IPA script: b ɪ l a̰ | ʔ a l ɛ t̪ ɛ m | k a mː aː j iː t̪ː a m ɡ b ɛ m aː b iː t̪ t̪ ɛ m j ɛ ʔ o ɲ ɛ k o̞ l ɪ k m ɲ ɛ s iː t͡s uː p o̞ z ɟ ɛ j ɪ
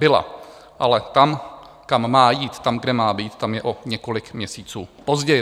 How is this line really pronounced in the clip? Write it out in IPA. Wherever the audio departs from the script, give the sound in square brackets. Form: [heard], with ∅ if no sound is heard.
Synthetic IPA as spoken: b ɪ l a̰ | ʔ a l ɛ t̪ [a] m | k a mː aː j iː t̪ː a m ɡ [d] ɛ m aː b iː t̪ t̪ [a] m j ɛ ʔ o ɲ ɛ k o̞ l ɪ k m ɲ ɛ s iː t͡s uː p o̞ z ɟ ɛ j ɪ